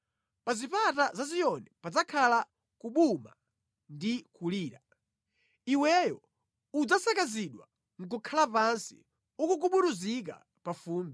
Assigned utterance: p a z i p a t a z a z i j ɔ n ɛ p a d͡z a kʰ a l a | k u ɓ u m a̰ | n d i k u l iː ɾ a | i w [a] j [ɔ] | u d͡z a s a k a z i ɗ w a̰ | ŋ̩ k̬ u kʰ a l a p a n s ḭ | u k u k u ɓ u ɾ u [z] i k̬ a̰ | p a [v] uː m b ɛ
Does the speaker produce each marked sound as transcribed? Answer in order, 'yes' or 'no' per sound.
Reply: no, yes, yes, no

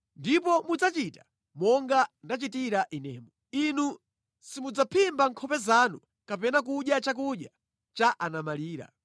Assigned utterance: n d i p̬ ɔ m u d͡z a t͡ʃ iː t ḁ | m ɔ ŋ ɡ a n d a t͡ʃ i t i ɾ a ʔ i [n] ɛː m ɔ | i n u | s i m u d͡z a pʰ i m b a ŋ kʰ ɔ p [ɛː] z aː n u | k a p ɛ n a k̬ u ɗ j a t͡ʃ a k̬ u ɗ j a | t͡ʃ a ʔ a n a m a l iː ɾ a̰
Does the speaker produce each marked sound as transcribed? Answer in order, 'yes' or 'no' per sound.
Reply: yes, no

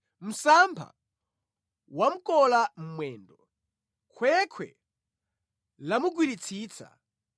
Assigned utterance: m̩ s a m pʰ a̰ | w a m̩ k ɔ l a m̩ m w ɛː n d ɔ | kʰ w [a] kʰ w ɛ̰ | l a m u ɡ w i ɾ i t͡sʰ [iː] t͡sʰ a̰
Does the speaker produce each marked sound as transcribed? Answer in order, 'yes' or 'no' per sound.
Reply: no, yes

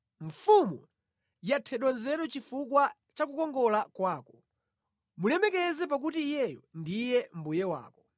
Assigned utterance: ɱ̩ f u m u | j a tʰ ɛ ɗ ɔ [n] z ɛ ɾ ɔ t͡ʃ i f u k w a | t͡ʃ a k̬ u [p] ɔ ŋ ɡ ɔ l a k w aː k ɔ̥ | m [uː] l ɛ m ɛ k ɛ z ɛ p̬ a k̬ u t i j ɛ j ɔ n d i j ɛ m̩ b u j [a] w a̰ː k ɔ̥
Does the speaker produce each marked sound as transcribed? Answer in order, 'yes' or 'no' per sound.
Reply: yes, no, no, no

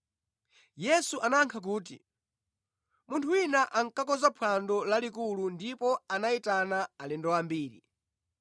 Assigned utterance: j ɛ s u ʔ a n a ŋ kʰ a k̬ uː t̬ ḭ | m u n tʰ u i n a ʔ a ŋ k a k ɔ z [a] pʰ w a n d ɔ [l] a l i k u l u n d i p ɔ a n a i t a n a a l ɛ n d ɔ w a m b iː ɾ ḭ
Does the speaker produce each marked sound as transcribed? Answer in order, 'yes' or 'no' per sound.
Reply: yes, yes

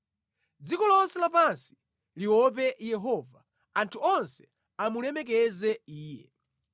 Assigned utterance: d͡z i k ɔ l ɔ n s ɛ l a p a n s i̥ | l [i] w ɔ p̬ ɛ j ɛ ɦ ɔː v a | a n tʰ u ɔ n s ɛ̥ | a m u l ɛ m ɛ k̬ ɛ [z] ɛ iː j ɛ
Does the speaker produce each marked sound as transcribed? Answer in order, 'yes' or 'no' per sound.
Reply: yes, yes

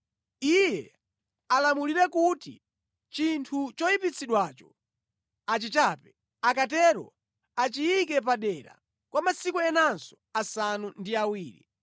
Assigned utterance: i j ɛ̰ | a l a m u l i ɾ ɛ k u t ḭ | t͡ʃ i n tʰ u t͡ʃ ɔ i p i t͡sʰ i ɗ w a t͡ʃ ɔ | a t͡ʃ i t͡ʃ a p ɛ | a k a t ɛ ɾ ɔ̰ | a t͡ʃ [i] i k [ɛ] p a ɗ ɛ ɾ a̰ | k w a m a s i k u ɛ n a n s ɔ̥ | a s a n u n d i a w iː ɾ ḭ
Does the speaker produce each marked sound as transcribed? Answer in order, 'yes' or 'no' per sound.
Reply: yes, yes

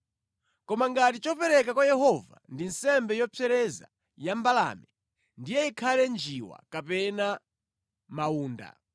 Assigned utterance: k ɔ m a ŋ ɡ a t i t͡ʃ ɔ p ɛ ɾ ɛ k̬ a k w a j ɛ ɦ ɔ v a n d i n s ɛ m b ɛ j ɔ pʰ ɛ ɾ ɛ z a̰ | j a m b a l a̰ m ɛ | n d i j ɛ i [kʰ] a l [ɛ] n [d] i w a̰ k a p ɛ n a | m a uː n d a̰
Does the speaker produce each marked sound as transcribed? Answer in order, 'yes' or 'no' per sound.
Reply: yes, yes, no

